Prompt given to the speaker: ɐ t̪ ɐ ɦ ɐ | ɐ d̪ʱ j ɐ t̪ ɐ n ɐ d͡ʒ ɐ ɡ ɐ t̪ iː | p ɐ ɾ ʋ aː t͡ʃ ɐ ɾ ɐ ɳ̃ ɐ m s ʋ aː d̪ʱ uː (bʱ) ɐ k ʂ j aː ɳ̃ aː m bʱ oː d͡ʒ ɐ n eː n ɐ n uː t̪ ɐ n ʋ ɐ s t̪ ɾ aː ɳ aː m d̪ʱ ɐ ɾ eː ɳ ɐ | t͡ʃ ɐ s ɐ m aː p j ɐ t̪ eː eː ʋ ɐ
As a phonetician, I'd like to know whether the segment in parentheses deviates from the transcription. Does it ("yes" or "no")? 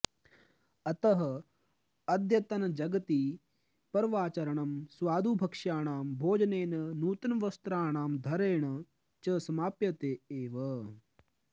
no